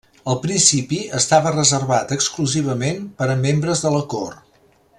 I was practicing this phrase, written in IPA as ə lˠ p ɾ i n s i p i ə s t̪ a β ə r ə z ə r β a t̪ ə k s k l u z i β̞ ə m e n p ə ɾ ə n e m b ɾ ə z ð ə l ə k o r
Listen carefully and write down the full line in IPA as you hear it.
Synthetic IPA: ə lˠ p ɾ i n s i p i ə s t̪ a β ə r ə z ə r β a t̪ ə k s k l u z i β̞ ə m e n p ə ɾ ə m e m b ɾ ə z ð ə l ə k o r